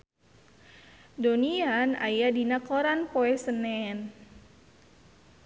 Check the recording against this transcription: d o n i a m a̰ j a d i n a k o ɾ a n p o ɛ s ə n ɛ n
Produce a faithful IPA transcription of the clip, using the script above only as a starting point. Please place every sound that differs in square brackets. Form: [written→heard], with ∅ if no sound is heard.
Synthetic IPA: d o n i a [m→n] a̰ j a d i n a k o ɾ a n p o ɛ s ə n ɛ n